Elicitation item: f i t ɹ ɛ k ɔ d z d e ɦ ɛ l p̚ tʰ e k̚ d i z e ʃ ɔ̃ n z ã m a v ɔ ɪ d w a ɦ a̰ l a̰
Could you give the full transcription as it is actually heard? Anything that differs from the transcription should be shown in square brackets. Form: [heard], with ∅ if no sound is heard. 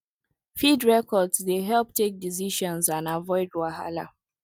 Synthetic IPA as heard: f i [d] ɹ ɛ k ɔ d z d e ɦ ɛ l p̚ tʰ e k̚ d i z [i] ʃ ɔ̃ n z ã [n] a v ɔ ɪ d w a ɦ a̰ l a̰